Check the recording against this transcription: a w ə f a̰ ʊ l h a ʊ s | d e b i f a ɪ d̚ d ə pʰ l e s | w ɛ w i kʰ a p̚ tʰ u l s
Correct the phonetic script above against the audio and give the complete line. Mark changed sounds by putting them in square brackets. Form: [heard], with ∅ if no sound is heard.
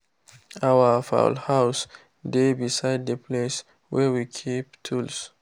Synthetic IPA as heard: a w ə f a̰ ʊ l h a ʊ s | d e b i [s] a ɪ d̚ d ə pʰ l e s | w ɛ w i kʰ [i] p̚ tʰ u l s